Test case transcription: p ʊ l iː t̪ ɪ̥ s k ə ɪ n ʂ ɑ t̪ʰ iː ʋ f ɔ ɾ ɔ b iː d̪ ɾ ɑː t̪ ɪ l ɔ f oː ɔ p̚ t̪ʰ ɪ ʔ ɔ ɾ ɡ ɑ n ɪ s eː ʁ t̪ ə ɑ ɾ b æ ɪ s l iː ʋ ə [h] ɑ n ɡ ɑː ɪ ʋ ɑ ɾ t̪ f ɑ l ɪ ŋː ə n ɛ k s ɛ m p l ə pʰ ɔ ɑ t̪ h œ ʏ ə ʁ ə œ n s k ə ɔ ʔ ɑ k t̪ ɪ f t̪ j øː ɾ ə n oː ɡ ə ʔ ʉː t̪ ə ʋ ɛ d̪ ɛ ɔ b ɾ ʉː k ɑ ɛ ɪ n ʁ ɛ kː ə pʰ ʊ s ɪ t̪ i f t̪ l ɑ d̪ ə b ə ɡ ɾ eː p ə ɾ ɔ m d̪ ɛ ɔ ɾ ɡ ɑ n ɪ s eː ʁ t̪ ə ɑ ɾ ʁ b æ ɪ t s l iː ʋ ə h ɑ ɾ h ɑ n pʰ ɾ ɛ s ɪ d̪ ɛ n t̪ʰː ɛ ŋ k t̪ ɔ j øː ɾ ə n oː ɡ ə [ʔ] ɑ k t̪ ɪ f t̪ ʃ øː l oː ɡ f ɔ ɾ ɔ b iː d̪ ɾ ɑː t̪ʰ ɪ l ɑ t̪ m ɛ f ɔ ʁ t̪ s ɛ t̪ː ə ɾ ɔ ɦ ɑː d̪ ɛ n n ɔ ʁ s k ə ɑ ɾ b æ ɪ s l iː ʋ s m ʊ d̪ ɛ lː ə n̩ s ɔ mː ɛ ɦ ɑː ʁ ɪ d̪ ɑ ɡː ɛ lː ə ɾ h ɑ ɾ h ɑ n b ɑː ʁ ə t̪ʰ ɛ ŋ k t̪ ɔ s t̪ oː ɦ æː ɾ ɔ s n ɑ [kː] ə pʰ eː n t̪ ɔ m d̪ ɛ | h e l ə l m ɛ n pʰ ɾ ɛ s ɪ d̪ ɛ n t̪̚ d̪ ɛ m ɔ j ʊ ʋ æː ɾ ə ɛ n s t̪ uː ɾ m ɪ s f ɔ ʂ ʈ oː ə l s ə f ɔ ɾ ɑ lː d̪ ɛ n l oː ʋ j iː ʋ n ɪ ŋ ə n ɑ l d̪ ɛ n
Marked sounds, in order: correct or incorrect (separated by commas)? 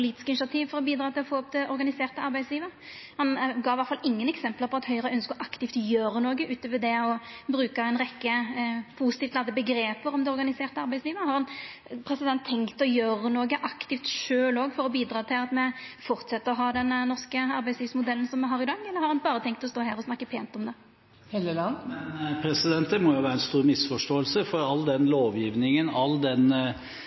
correct, correct, correct